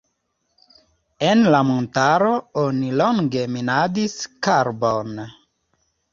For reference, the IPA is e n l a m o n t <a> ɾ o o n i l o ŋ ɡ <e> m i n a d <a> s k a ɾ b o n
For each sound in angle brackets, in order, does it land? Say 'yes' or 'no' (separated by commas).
yes, yes, no